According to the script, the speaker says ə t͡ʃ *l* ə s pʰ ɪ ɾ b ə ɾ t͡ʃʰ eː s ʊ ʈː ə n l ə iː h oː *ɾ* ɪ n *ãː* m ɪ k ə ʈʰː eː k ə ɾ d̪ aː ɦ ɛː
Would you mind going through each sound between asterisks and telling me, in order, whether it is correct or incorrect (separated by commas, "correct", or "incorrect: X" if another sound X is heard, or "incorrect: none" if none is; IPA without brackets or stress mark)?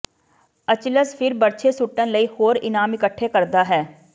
correct, correct, incorrect: aː